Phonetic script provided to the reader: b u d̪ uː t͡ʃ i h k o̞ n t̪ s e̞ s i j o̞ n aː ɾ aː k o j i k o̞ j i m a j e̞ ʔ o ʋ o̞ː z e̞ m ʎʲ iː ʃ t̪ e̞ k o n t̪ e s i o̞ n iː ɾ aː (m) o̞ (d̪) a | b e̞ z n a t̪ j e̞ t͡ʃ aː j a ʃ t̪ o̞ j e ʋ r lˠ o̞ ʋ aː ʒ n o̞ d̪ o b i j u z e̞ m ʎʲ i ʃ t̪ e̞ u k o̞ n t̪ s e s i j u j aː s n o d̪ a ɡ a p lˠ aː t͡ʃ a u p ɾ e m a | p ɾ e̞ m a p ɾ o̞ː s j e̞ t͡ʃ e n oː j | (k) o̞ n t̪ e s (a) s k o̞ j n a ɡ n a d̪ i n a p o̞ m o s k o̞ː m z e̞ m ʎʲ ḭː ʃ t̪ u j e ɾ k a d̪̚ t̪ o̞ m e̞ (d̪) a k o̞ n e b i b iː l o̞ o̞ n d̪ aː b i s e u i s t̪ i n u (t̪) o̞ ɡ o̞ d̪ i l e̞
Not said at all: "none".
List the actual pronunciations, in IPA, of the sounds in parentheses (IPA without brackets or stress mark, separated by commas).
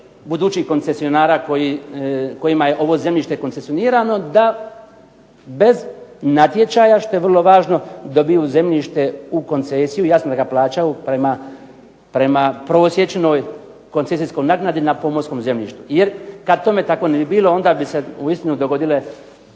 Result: n, d̪, k, i, t̪, d̪